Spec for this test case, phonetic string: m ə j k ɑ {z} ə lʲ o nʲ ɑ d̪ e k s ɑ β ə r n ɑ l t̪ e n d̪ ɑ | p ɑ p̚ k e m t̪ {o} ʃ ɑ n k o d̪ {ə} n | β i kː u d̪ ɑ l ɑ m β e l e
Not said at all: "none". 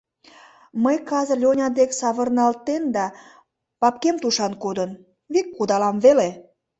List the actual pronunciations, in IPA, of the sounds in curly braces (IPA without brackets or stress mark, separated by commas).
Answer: z, u, ə